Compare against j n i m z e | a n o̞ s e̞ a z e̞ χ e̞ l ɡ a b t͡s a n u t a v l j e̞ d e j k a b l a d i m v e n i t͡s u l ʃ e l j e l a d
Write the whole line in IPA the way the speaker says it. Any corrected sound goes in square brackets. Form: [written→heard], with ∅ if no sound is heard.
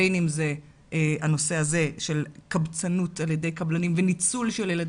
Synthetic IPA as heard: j n i m z e | a n o̞ s e̞ a z e̞ [χ→ʃ] e̞ l [ɡ→k] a b t͡s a n u t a [v→∅] l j e̞ d e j k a b l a [d→n] i m v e n i t͡s u l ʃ e l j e l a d